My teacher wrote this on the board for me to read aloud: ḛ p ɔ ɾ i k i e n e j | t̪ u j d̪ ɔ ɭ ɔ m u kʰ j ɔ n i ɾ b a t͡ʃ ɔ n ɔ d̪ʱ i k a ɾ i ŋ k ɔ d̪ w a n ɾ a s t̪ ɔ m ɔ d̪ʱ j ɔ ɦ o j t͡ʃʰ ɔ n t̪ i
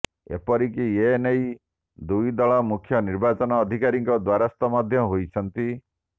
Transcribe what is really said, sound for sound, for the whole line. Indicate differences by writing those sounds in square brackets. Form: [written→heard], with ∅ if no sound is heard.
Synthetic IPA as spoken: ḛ p ɔ ɾ i k i e n e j | [t̪→d̪] u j d̪ ɔ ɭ ɔ m u kʰ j ɔ n i ɾ b a t͡ʃ ɔ n [ɔ→ɔː] d̪ʱ i k a ɾ i ŋ k ɔ d̪ w a [n→∅] ɾ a s t̪ ɔ m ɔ d̪ʱ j ɔ ɦ o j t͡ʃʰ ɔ n t̪ i